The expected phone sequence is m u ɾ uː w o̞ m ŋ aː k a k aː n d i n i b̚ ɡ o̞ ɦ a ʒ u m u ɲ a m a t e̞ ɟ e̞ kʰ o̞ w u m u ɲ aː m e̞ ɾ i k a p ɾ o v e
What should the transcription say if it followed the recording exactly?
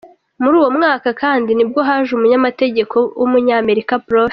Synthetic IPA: m u ɾ uː w o̞ m ŋ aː k a k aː n d i n i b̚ ɡ o̞ ɦ a ʒ u m u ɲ a m a t e̞ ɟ e̞ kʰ o̞ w u m u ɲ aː m e̞ ɾ i k a p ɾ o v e